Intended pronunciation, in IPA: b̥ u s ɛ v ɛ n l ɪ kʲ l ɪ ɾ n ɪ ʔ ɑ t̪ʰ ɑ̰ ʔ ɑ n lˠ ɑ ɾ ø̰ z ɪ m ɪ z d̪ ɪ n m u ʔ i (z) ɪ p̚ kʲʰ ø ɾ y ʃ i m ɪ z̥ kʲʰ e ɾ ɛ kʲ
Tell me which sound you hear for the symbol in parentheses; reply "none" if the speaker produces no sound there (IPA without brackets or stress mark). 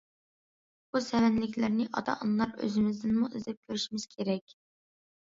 z